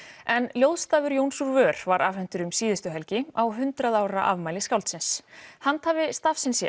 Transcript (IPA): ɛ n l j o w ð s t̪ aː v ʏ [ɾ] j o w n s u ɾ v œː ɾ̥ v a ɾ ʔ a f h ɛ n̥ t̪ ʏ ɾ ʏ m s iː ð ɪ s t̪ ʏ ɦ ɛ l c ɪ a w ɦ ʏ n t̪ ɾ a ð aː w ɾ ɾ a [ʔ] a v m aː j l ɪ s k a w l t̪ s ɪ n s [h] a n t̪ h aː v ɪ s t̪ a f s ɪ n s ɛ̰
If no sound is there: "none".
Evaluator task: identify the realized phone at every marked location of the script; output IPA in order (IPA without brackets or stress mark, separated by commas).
ɾ, ʔ, h